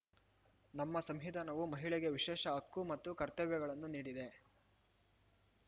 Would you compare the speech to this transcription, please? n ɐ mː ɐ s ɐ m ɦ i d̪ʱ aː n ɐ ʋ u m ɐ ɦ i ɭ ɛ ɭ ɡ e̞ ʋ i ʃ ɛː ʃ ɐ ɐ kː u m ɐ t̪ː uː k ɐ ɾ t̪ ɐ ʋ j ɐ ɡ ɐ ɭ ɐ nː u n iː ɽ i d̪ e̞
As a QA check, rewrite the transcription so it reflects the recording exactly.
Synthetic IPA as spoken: n ɐ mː ɐ s ɐ m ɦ i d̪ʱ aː n ɐ ʋ u m ɐ ɦ i ɭ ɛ ɡ e̞ ʋ i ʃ ɛː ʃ ɐ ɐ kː u m ɐ t̪ː u k ɐ ɾ t̪ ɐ ʋ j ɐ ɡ ɐ ɭ ɐ nː u n iː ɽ i d̪ e̞